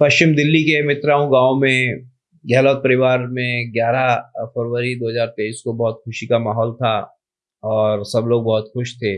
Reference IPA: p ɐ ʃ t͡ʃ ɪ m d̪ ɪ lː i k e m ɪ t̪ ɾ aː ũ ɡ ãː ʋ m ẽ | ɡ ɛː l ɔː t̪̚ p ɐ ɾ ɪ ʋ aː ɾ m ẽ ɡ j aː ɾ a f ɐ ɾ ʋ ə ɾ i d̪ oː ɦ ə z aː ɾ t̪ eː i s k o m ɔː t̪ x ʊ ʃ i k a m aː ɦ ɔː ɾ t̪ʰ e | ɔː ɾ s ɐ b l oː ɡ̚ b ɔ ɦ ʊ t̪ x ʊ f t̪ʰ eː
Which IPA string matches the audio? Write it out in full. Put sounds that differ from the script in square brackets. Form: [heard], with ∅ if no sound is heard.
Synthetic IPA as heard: p ɐ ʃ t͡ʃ ɪ m d̪ ɪ lː i k e m ɪ t̪ ɾ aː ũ ɡ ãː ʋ m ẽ | ɡ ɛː l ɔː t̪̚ p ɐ ɾ ɪ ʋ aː ɾ m ẽ ɡ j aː ɾ a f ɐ ɾ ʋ ə ɾ i d̪ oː ɦ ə z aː ɾ t̪ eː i s k o [b] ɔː t̪ x ʊ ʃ i k a m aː ɦ ɔː [l] t̪ʰ [a] | ɔː ɾ s ɐ b l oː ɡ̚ b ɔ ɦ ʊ t̪ x ʊ [ʃ] t̪ʰ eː

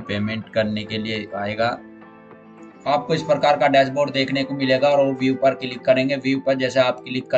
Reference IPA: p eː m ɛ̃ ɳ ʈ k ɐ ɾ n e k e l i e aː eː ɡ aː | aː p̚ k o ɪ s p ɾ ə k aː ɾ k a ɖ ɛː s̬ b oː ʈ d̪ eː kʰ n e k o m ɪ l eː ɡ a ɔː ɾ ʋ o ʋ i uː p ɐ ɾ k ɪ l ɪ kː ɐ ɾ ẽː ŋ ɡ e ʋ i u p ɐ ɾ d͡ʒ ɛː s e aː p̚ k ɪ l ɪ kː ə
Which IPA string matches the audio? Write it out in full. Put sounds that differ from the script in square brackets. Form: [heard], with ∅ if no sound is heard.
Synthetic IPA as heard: p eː m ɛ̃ ɳ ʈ k ɐ ɾ n e k e l i e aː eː ɡ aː | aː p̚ k o ɪ s p ɾ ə k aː ɾ k a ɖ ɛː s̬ b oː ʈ d̪ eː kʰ n e k o m ɪ l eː ɡ a ɔː ɾ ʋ o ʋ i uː p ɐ ɾ k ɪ l ɪ kː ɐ ɾ ẽː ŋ ɡ e ʋ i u p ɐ ɾ d͡ʒ ɛː s e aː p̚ k ɪ l ɪ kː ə

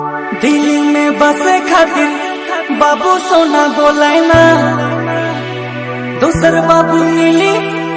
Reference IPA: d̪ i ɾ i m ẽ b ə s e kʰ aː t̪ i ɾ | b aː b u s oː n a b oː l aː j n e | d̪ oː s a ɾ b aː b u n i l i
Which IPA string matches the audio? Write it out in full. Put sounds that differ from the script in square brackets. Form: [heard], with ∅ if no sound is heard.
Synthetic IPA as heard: d̪ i [l] i m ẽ b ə s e kʰ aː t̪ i ɾ | b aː b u s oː n a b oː l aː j n [a] | d̪ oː s [ə] ɾ b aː b u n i l i

